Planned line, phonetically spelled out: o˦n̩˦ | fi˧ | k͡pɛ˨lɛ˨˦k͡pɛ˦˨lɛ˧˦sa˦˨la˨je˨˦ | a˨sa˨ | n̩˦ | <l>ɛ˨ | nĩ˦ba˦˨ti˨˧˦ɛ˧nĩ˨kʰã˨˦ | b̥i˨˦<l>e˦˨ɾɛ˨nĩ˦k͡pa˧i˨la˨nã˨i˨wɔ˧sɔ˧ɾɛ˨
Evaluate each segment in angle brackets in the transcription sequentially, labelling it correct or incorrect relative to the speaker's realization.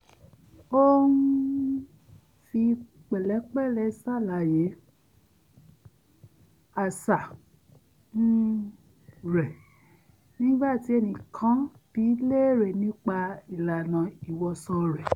incorrect: ɾ, correct

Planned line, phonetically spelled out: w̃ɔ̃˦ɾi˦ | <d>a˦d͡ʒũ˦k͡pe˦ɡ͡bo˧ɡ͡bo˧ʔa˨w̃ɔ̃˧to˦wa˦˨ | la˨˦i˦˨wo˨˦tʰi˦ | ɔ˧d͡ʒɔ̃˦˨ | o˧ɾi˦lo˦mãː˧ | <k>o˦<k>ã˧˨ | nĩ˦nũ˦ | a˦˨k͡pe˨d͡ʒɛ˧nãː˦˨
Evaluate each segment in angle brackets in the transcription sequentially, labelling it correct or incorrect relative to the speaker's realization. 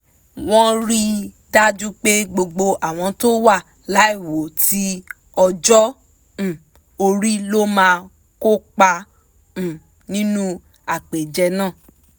correct, correct, incorrect: k͡p

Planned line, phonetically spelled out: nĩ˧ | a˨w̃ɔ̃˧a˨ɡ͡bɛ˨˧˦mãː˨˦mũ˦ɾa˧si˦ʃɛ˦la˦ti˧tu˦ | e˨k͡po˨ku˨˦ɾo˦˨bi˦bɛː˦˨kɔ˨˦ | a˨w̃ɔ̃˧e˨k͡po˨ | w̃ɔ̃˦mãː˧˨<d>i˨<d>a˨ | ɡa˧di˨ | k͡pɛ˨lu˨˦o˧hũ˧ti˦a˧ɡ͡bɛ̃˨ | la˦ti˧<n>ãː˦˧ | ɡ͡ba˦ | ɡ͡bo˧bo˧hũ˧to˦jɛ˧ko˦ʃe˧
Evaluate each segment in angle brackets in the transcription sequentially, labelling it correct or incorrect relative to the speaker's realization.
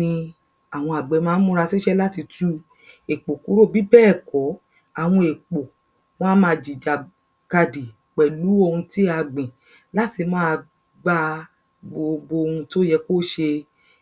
incorrect: d͡ʒ, incorrect: d͡ʒ, incorrect: m

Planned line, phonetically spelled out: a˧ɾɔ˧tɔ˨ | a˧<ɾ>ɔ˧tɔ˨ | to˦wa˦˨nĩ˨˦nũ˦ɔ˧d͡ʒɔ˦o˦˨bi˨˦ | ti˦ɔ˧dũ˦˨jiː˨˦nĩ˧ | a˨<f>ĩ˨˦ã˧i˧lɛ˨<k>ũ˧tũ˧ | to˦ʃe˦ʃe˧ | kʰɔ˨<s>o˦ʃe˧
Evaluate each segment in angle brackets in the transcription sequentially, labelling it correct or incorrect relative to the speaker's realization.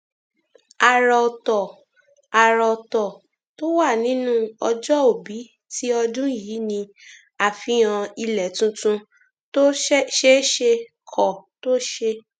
correct, correct, incorrect: t, incorrect: t

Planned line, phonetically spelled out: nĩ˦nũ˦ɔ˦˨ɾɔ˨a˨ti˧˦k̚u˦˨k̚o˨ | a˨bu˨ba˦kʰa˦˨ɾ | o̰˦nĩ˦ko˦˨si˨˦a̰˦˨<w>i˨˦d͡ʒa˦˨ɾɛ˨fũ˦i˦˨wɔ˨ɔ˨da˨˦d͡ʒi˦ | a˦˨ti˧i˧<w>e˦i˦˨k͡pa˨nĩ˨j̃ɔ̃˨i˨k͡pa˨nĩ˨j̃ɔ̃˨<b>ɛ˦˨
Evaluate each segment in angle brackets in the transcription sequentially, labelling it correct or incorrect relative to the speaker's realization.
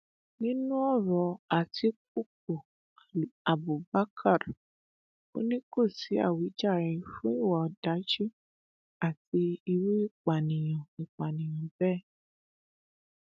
correct, correct, correct

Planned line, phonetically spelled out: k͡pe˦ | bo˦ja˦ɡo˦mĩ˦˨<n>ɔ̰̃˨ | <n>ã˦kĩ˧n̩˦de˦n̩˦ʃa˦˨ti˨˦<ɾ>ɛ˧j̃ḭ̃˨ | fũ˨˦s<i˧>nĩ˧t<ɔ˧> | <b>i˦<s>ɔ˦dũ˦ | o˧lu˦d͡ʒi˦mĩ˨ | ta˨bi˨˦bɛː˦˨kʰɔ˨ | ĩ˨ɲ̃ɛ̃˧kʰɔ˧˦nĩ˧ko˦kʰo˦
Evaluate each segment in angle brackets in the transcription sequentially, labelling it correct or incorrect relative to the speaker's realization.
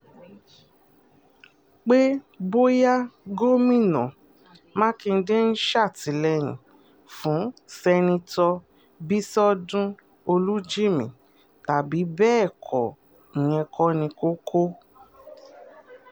correct, incorrect: m, incorrect: l, incorrect: ɛ˧, correct, correct, correct

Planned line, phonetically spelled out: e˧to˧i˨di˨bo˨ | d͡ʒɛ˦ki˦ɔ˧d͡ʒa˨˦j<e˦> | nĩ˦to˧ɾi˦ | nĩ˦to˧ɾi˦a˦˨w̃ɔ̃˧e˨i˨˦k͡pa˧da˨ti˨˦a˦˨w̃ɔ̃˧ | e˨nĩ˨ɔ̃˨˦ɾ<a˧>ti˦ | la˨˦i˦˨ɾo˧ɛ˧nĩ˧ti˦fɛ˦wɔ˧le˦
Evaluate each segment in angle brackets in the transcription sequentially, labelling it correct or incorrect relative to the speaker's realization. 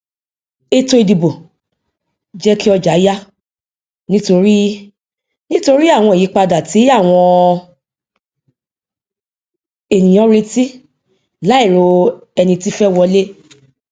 incorrect: a˦, incorrect: e˧

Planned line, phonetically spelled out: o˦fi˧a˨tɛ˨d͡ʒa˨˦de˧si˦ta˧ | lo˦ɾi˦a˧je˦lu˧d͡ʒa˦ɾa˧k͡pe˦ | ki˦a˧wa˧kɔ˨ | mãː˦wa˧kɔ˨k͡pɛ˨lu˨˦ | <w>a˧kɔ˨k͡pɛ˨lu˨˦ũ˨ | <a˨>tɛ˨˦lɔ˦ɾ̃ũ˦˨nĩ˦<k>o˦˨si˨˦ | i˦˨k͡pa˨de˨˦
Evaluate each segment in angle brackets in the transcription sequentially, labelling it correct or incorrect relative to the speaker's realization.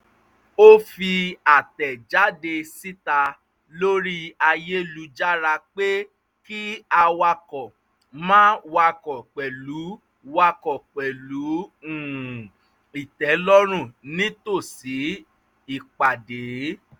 correct, incorrect: i˨, incorrect: t

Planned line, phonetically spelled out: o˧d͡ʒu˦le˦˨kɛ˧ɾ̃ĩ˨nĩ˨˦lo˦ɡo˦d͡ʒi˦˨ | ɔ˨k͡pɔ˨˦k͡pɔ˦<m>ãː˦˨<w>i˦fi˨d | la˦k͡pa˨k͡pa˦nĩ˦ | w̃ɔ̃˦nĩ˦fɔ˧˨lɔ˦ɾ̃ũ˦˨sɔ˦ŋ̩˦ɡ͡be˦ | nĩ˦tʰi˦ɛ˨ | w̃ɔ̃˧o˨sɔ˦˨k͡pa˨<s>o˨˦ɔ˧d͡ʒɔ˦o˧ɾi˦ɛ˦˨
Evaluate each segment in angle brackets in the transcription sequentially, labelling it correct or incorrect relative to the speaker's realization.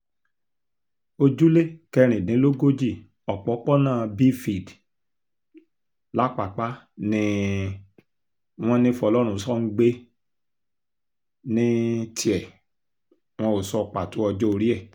incorrect: n, incorrect: b, incorrect: t

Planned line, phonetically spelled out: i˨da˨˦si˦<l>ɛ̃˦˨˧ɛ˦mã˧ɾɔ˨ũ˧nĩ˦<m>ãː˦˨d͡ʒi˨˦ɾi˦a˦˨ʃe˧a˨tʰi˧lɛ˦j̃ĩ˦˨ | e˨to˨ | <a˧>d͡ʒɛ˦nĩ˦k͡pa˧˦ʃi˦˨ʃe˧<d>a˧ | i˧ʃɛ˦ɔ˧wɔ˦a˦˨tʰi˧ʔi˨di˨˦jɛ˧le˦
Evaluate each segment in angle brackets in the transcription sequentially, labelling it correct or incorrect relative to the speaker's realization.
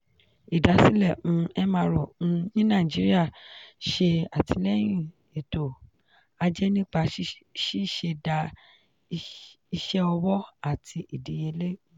correct, incorrect: n, correct, correct

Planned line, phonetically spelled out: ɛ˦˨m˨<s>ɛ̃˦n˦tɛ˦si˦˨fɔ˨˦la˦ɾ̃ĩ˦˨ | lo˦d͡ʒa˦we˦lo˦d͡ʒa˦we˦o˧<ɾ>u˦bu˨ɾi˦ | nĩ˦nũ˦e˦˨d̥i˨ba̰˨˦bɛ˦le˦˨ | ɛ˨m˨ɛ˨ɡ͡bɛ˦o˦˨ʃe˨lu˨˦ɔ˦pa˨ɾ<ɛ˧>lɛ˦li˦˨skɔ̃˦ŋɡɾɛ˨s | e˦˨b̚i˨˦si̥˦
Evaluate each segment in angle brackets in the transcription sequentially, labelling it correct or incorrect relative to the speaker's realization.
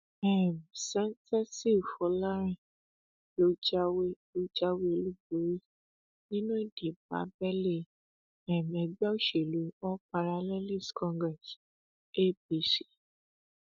correct, incorrect: l, incorrect: a˧

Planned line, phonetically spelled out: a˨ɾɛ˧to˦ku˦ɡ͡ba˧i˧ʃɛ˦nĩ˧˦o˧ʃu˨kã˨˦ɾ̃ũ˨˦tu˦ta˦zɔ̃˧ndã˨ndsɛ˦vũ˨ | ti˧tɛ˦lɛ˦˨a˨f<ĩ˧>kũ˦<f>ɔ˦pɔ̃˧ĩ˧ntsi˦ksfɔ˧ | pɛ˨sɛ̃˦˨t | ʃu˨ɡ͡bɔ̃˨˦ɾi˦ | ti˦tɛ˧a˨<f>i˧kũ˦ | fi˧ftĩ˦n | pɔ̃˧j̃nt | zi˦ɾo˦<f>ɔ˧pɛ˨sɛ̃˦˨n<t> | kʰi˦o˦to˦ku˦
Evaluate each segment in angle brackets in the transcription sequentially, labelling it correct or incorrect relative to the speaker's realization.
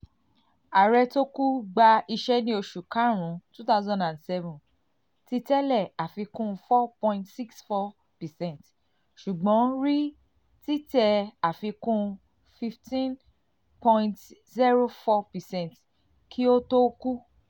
incorrect: i˧, correct, correct, correct, correct

